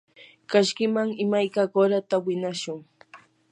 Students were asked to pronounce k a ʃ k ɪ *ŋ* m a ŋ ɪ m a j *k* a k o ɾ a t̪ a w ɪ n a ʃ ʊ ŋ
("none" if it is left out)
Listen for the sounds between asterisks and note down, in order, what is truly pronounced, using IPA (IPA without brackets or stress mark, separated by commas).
none, k